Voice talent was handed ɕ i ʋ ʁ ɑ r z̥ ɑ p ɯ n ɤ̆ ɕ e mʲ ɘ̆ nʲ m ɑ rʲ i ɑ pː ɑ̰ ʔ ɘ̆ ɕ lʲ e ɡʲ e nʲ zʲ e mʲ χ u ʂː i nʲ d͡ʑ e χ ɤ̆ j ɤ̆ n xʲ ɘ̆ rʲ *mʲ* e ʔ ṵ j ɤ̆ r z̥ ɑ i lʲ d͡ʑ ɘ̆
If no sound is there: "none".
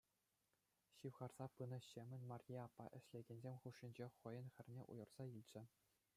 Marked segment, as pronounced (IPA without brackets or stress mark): nʲ